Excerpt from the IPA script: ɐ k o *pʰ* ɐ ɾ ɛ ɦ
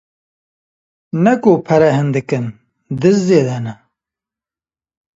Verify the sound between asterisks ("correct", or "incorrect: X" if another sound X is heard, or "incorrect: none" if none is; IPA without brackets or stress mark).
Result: correct